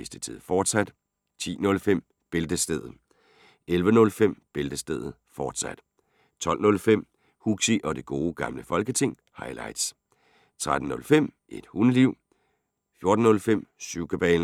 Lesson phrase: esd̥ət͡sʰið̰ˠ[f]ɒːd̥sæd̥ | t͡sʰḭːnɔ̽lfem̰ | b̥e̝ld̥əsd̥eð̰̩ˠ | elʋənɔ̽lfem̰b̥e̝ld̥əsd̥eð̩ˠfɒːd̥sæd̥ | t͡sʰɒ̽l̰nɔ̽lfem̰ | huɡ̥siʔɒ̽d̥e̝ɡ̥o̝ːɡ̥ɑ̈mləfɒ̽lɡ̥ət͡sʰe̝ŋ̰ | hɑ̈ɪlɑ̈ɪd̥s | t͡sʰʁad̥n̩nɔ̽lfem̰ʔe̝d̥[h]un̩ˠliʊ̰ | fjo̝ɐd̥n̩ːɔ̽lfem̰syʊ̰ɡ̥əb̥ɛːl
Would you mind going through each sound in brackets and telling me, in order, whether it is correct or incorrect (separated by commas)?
correct, correct